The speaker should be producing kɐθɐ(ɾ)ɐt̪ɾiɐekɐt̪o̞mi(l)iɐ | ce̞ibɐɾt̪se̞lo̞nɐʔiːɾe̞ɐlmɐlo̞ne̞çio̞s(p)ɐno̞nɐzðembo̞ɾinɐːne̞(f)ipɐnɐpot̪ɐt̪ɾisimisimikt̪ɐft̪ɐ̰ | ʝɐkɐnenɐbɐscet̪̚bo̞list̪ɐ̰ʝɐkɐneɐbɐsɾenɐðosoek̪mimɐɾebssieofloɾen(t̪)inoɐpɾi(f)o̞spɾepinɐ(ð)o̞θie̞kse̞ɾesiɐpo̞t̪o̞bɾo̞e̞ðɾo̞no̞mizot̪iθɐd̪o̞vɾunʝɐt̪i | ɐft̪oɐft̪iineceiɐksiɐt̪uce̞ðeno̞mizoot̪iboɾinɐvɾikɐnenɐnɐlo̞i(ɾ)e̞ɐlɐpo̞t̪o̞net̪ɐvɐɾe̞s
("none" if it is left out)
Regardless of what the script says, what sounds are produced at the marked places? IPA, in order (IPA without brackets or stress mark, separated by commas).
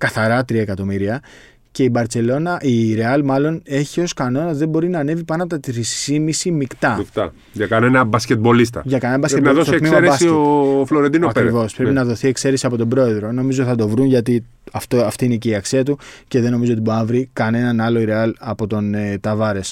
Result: ɾ, ɾ, k, v, d̪, v, ð, ɾ